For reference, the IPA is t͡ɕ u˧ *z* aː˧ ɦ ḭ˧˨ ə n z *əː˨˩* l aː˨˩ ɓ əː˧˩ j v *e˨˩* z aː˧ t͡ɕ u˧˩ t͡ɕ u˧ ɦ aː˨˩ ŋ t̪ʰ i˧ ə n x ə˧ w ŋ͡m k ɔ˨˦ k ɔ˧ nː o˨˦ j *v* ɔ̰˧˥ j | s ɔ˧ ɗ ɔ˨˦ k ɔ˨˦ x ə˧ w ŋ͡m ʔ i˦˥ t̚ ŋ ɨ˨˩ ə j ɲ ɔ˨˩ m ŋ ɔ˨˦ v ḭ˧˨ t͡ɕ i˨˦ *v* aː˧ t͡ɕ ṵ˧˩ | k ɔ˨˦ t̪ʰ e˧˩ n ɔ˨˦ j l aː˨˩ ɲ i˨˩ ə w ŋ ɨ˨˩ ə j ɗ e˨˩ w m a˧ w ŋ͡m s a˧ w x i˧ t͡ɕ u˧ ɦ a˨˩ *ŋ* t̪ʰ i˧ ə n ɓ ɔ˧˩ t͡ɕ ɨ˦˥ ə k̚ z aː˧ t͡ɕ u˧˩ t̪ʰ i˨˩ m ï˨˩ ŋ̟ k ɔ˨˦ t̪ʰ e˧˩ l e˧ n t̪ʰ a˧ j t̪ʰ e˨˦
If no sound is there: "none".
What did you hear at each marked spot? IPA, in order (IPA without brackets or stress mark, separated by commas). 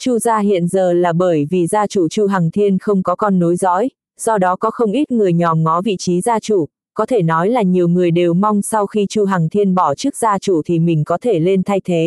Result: z, əː˨˩, i˨˩, z, z, ŋ